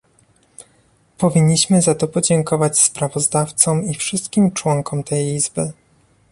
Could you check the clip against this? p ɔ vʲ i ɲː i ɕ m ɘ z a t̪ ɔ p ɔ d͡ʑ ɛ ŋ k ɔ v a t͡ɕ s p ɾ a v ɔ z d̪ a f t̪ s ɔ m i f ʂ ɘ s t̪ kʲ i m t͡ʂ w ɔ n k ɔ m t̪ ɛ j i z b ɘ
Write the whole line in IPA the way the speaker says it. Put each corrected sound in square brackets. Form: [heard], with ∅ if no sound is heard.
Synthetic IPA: p ɔ vʲ i ɲː i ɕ m ɘ z a t̪ ɔ p ɔ d͡ʑ ɛ ŋ k ɔ v a t͡ɕ s p ɾ a v ɔ z d̪ a f t̪ s ɔ m i f ʂ ɘ s t̪ kʲ i m t͡ʂ w ɔ [ŋ] k ɔ m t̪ ɛ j i z b ɘ